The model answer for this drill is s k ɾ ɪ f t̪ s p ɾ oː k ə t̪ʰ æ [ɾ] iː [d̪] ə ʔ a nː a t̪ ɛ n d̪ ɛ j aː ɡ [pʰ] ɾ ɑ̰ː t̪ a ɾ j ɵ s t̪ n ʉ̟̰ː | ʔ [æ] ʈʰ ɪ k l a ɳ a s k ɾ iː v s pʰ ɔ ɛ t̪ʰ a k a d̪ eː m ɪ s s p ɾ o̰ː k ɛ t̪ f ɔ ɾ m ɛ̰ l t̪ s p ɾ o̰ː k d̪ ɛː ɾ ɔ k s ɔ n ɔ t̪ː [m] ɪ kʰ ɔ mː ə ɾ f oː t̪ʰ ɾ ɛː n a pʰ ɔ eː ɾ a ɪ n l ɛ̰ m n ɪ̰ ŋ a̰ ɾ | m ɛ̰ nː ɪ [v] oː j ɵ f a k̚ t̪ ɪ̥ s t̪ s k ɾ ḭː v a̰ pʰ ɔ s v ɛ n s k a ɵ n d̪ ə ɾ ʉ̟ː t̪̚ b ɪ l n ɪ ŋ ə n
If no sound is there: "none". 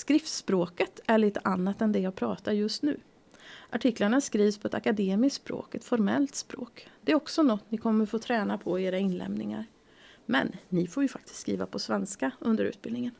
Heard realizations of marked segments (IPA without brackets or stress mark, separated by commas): ɭ, t̪, pʰ, a, n, f